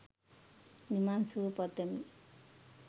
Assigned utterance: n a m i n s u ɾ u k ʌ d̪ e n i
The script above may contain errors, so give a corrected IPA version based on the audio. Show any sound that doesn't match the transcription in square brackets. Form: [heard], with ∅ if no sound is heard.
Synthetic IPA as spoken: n [i] m [a] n s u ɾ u [p] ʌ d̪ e [m] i